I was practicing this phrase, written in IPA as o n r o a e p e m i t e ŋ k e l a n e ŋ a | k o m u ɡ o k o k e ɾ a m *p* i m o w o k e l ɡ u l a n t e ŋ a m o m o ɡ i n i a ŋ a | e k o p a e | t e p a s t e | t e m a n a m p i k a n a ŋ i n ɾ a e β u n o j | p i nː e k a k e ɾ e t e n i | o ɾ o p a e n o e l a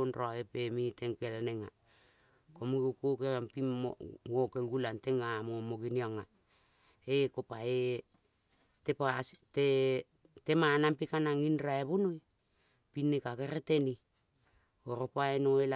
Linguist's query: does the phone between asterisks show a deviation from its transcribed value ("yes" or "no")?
no